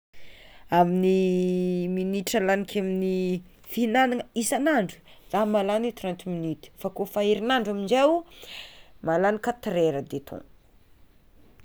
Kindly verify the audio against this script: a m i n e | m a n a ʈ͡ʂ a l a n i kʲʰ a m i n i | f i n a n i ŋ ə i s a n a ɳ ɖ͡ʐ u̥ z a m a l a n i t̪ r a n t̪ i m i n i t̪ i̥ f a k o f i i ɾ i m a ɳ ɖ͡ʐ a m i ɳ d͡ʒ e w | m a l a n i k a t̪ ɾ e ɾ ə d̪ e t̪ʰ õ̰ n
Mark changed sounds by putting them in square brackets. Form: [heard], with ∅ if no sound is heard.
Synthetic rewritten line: a m i n [i] | m [i] n [i] ʈ͡ʂ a l a n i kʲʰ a m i n i | f i n a n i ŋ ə i s a n a ɳ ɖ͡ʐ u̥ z a m a l a n i t̪ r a n t̪ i m i n i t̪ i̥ f a k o f [a] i ɾ i [n] a ɳ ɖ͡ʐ a m i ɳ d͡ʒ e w | m a l a n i k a t̪ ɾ e ɾ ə d̪ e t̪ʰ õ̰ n

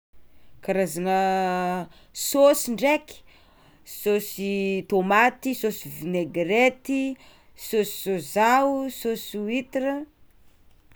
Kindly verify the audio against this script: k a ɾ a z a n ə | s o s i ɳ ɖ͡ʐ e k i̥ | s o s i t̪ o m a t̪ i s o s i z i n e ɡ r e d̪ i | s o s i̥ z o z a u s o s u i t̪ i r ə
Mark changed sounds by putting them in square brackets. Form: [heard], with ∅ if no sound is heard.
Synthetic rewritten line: k a ɾ a z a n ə | s o s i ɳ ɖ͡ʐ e k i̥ | s o s i t̪ o m a t̪ i s o s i [v] i n e ɡ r e [t̪] i | s o s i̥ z o z a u s o s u i t̪ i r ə

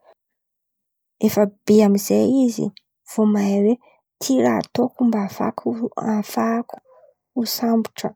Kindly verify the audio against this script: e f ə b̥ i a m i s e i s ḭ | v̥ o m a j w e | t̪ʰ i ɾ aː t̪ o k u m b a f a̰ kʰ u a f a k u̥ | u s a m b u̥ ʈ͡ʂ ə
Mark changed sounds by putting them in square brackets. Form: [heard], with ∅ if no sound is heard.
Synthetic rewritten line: e f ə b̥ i a m i [z] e i [z] ḭ | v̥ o m a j w e | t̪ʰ i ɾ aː t̪ o k u m b a f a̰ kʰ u a f a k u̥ | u s a m b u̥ ʈ͡ʂ ə

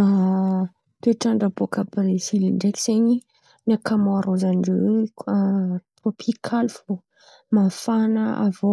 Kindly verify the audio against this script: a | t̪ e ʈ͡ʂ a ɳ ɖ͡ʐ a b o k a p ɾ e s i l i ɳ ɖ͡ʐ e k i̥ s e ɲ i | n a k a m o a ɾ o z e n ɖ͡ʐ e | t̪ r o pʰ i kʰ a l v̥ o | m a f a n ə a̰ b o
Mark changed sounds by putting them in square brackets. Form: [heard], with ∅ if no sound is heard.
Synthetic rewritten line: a | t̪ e ʈ͡ʂ a ɳ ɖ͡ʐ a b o k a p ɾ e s i l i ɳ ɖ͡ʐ e k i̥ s e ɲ i | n a k a m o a ɾ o z [a] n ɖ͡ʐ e | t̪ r o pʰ i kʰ a l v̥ o | m a f a n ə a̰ [v] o

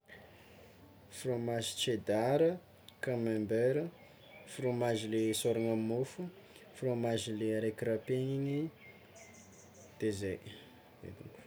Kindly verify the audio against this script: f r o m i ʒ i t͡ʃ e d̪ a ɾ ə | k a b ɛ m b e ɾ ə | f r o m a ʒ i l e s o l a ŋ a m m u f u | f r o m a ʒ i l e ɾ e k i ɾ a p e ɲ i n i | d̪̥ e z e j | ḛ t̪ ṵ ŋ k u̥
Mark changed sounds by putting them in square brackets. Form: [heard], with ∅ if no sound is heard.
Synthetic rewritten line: f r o m [a] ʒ i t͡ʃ e d̪ a ɾ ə | k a [m] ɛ m b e ɾ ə | f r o m a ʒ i l e s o [ɾ] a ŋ a m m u f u | f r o m a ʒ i l e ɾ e k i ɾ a p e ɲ i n i | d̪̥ e z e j | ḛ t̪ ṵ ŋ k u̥

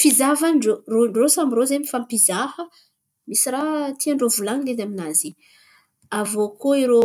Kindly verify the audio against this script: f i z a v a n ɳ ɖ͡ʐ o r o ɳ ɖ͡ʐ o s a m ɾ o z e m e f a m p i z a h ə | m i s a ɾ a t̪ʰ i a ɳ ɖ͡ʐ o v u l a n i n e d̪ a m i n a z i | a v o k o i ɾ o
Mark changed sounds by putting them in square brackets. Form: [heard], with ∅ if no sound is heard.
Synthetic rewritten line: f i z a v a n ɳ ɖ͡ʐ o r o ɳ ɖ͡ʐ o s a m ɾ o z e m [i] f a m p i z a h ə | m i s [i] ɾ a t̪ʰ i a ɳ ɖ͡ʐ o v u l a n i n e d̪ a m i n a z i | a v o k o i ɾ o

